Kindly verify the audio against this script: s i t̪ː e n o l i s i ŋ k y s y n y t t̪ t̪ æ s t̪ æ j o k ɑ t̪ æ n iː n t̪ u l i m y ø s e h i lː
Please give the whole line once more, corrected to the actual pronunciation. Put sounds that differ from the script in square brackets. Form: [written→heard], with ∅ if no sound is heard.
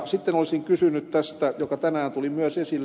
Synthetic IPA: s i t̪ː e n o l i s i ŋ k y s y n y t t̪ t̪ æ s t̪ æ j o k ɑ t̪ æ n [iː→æː] n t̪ u l i m y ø s e [h→s] i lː